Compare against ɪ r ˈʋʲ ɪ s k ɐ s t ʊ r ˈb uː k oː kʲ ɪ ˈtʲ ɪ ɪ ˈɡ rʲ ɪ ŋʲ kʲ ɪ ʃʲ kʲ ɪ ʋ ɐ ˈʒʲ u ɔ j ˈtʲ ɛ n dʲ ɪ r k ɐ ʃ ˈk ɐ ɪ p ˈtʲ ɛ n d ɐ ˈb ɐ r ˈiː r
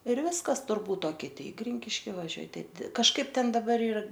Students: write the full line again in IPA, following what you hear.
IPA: ɪ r ˈʋʲ ɪ s k ɐ s t ʊ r ˈb uː t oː kʲ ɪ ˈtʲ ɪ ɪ ˈɡ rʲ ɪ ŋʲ kʲ ɪ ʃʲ kʲ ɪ ʋ ɐ ˈʒʲ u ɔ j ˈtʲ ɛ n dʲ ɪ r k ɐ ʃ ˈk ɐ ɪ p ˈtʲ ɛ n d ɐ ˈb ɐ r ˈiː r